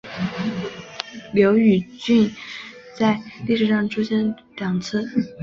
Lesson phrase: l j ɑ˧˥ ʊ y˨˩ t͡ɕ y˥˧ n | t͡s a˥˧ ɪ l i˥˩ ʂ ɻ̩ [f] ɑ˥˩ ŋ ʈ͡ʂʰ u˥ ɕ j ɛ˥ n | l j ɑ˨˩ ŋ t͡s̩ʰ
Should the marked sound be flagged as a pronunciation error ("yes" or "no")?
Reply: yes